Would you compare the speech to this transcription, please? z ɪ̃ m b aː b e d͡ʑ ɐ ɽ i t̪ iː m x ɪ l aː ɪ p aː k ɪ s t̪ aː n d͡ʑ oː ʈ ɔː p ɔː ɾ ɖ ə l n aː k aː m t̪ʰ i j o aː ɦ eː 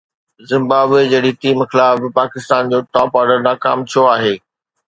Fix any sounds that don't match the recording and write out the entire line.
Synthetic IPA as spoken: z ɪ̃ m b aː b e d͡ʑ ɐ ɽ i t̪ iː m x ɪ l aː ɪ p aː k ɪ s t̪ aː n d͡ʑ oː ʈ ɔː p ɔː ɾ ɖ ə ɾ n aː k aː m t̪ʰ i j o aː ɦ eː